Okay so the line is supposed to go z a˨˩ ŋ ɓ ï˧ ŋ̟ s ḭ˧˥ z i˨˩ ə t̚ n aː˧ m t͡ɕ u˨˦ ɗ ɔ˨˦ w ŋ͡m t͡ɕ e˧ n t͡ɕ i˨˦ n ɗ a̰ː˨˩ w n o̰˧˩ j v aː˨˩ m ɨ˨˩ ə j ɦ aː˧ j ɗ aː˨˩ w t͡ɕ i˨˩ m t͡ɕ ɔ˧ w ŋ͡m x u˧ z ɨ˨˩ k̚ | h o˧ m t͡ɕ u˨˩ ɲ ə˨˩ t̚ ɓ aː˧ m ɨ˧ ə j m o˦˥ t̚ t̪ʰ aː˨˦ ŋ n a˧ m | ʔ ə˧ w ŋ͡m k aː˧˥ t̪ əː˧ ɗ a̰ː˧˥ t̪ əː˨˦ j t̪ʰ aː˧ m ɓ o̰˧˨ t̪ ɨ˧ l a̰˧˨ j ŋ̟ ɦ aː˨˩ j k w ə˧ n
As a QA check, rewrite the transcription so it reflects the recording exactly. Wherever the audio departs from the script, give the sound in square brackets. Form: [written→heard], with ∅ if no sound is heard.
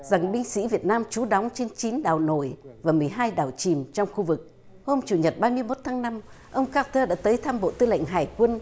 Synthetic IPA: z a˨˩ ŋ ɓ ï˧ ŋ̟ s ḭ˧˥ [z→v] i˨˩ ə t̚ n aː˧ m t͡ɕ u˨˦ ɗ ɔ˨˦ w ŋ͡m t͡ɕ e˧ n t͡ɕ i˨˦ n ɗ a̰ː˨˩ w n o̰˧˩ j v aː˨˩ m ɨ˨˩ ə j ɦ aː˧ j ɗ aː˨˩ w t͡ɕ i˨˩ m t͡ɕ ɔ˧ w ŋ͡m x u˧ [z→v] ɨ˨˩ k̚ | h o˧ m t͡ɕ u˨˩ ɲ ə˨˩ t̚ ɓ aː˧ m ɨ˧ ə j m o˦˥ t̚ t̪ʰ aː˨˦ ŋ n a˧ m | ʔ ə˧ w ŋ͡m k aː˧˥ t̪ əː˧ ɗ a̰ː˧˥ t̪ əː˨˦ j t̪ʰ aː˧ m ɓ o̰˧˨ t̪ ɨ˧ l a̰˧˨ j ŋ̟ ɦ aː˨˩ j k w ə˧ n